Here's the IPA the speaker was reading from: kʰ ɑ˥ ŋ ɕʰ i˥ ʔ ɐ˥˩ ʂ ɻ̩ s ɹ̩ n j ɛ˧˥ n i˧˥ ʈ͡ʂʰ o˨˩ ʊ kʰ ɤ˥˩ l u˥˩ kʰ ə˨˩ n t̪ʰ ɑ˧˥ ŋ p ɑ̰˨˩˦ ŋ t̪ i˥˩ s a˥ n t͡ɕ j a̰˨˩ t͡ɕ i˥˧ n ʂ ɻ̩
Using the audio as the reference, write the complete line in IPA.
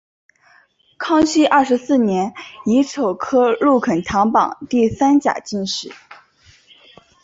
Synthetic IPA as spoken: kʰ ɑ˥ ŋ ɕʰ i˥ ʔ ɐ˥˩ ʂ ɻ̩ s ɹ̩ n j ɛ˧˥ n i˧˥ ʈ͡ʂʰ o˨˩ ʊ kʰ ɤ˥ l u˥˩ kʰ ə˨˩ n t̪ʰ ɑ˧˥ ŋ p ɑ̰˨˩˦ ŋ t̪ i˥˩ s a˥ n t͡ɕ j a̰˨˩ t͡ɕ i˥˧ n ʂ ɻ̩